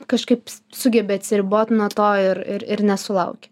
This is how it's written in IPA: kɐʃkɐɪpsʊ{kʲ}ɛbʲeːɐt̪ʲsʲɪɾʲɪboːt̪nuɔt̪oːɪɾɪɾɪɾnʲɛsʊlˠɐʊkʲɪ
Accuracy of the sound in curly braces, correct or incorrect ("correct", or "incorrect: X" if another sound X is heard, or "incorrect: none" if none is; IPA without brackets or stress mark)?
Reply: incorrect: ɡʲ